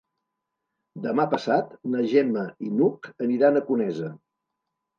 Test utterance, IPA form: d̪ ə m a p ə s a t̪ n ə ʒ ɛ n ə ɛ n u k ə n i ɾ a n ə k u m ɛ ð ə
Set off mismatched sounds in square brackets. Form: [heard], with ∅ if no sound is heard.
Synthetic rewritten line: d̪ ə m a p ə s a t̪ n ə ʒ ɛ [m] ə [i] n u k ə n i ɾ a n ə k u [n] ɛ [z] ə